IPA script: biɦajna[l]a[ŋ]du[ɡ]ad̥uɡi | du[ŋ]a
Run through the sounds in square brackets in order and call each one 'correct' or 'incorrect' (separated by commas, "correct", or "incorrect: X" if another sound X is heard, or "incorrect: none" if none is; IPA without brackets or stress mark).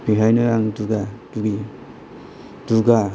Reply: incorrect: ɾ, correct, correct, incorrect: ɡ